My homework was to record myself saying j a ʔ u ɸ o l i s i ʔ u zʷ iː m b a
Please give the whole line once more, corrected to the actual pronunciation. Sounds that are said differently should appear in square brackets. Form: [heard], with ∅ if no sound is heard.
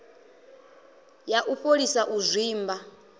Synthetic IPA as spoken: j a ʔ u ɸ o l i s [a] ʔ u zʷ iː m b a